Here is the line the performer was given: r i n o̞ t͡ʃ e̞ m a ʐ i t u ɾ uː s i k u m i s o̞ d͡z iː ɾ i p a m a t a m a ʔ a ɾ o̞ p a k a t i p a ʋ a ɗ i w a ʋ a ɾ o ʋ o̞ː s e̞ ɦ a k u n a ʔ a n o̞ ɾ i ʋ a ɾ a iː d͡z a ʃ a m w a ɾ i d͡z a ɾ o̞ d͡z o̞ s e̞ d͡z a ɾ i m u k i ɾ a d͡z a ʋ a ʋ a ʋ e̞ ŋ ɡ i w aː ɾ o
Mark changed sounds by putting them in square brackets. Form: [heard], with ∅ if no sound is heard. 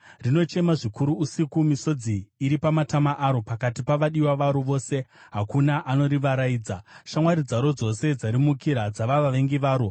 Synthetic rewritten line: r i n o̞ t͡ʃ e̞ m a ʐ i [k] u ɾ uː s i k u m i s o̞ d͡z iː ɾ i p a m a t a m a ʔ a ɾ o̞ p a k a t i p a ʋ a ɗ i w a ʋ a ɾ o ʋ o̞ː s e̞ ɦ a k u n a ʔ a n o̞ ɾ i ʋ a ɾ a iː d͡z a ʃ a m w a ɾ i d͡z a ɾ o̞ d͡z o̞ s e̞ d͡z a ɾ i m u k i ɾ a d͡z a ʋ a ʋ a ʋ e̞ ŋ ɡ i [ʋ] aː ɾ o